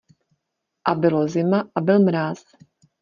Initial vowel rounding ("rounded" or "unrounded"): unrounded